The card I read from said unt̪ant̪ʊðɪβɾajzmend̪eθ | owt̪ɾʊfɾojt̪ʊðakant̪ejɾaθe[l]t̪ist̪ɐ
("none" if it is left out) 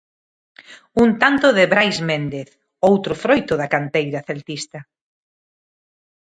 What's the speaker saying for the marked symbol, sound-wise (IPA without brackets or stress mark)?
l